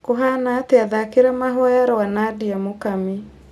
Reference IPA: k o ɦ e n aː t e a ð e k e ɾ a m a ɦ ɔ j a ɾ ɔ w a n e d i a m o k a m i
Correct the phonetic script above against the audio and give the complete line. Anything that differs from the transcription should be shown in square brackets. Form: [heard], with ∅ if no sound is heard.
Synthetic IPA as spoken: k o ɦ [a] n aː t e a ð [a] k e ɾ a m a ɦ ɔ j a ɾ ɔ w a n [a] d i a m o k a m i